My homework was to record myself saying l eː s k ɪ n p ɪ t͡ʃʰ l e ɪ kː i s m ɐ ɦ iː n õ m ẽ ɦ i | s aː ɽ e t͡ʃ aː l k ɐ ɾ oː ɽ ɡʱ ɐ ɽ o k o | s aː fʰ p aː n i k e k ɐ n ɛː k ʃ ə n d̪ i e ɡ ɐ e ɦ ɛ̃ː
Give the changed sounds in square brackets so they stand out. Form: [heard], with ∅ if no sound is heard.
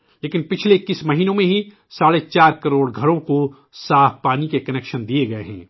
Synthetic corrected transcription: l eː [∅] k ɪ n p ɪ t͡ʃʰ l e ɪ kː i s m ɐ ɦ iː n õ m ẽ ɦ i | s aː ɽ e t͡ʃ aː [ɾ] k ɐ ɾ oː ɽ ɡʱ ɐ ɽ [õ] k o | s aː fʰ p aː n i k e k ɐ n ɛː k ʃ ə n d̪ i e ɡ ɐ e ɦ ɛ̃ː